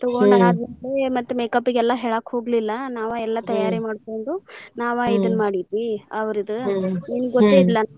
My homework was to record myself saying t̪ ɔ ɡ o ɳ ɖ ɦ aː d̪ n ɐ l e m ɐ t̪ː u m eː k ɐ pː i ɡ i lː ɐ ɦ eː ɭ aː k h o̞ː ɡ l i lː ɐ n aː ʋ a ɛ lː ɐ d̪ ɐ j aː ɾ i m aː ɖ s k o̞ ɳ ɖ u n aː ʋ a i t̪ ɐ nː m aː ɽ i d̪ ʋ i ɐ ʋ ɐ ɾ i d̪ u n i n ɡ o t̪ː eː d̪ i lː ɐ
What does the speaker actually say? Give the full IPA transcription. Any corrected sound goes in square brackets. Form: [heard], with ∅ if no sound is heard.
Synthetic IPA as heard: t̪ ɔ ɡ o ɳ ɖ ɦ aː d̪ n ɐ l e m ɐ t̪ː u m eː k ɐ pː i ɡ [ɛ] lː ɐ ɦ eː ɭ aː k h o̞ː ɡ l i lː ɐ n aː ʋ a ɛ lː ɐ [t̪] ɐ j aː ɾ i m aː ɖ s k o̞ ɳ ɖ u n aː ʋ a i [d̪] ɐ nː m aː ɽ i d̪ ʋ i ɐ ʋ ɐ ɾ i d̪ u n i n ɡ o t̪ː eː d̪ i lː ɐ